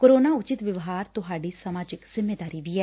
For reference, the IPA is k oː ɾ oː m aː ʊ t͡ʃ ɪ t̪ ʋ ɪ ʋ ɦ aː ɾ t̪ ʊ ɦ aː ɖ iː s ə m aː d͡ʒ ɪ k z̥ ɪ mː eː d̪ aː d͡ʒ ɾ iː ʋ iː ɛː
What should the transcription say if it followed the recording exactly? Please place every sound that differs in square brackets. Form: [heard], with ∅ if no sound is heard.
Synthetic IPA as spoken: k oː ɾ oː [n] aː ʊ t͡ʃ ɪ t̪ ʋ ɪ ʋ ɦ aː ɾ t̪ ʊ ɦ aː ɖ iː s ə m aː d͡ʒ ɪ k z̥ ɪ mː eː d̪ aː [∅] ɾ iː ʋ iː ɛː